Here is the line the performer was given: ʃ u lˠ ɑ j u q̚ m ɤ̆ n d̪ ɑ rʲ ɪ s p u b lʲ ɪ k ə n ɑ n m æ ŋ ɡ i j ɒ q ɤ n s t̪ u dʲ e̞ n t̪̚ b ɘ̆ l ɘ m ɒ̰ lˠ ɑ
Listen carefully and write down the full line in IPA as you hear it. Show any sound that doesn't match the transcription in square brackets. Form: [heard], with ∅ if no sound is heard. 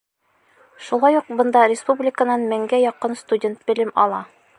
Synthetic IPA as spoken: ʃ u lˠ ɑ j u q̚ [b] ɤ̆ n d̪ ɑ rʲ ɪ s p u b lʲ ɪ k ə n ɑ n m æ ŋ ɡ [æ] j ɒ q ɤ n s t̪ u dʲ e̞ n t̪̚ b ɘ̆ l ɘ m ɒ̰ lˠ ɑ